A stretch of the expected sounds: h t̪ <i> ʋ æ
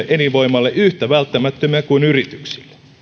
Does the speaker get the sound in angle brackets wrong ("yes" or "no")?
yes